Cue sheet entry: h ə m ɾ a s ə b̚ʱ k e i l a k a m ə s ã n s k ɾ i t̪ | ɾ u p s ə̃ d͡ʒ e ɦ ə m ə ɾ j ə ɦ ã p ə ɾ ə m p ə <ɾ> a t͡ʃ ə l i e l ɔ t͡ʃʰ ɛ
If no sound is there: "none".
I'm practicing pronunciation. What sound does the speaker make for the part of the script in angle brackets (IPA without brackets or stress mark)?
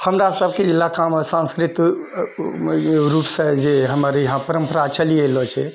ɾ